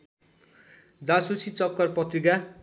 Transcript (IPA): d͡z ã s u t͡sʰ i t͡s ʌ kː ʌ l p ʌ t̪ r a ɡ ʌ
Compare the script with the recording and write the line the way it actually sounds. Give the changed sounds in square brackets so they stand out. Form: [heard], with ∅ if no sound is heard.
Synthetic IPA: d͡z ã s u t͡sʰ i t͡s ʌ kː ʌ [r] p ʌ t̪ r [i] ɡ [a]